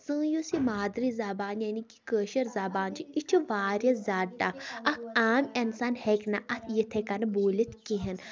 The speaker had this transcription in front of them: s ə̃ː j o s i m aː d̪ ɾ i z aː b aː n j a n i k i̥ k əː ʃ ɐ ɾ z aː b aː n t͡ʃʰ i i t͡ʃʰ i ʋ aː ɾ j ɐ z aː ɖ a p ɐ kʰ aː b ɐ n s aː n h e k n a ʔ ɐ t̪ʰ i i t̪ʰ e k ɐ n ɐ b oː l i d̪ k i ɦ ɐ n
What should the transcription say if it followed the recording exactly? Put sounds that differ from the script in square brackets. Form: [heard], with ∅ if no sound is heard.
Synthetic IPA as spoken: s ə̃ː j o s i m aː d̪ ɾ i z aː b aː n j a n i k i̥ k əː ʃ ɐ ɾ z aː b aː n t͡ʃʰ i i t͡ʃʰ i ʋ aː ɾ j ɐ z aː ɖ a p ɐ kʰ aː [m] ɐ n s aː n h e k n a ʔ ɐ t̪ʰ [j] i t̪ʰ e k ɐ n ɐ b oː l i [t̪] k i ɦ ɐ n